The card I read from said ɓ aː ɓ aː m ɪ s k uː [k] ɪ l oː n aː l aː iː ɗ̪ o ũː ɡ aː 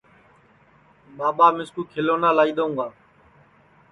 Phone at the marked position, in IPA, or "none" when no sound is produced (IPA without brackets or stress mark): kʰ